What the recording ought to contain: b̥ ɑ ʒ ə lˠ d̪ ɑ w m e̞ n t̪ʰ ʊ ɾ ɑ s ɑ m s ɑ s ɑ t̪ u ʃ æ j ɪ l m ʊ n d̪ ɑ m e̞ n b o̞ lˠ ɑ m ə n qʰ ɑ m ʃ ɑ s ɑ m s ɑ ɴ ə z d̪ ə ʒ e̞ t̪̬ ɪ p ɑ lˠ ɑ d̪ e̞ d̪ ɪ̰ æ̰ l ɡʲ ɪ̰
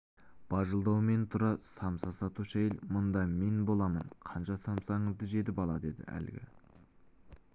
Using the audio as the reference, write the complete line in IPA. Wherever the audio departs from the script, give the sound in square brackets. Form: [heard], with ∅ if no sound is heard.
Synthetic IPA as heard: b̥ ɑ ʒ ə lˠ d̪ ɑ w m e̞ n t̪ʰ ʊ ɾ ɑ s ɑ m s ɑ s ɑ t̪ u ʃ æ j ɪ l m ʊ n d̪ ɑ m e̞ n b o̞ lˠ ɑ m ə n qʰ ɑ [n] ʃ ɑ s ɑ m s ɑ ɴ ə z d̪ ə ʒ e̞ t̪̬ ɪ p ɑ lˠ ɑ d̪ e̞ d̪ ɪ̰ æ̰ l ɡʲ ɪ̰